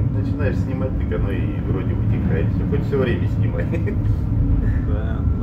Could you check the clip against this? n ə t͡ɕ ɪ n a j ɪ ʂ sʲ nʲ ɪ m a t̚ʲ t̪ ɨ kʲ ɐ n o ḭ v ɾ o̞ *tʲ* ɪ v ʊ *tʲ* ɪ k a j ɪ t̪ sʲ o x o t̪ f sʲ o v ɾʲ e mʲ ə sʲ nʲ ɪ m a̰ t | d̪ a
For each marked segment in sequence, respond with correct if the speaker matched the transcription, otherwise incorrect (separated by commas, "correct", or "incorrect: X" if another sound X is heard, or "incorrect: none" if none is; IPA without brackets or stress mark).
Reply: incorrect: dʲ, correct